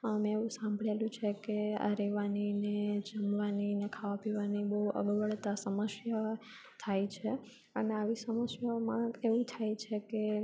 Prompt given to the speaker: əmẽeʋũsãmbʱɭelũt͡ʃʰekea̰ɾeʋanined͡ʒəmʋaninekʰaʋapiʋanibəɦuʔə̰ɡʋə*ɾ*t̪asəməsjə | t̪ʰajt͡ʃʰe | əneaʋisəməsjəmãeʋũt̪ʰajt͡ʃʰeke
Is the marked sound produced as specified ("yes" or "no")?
no